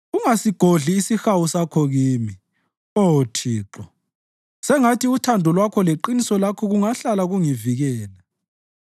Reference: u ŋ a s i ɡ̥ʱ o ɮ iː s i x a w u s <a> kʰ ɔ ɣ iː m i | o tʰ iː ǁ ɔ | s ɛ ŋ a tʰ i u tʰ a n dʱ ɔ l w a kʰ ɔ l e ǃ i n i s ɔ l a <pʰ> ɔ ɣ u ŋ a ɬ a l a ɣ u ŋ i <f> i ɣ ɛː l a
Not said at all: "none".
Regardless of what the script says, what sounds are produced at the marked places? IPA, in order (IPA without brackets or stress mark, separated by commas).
a, kʰ, v